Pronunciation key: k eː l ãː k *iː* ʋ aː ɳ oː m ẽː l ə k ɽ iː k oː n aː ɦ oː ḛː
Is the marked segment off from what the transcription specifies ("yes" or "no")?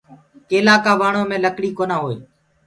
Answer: yes